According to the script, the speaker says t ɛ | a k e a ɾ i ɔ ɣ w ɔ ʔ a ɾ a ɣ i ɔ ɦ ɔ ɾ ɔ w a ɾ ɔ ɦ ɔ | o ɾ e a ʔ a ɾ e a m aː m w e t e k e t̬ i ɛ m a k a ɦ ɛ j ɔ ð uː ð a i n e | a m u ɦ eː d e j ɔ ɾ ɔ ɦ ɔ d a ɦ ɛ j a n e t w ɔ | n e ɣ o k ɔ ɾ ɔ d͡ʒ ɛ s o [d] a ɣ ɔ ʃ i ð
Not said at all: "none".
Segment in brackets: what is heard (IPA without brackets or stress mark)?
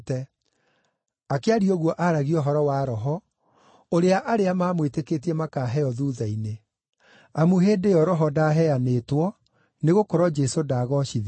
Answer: d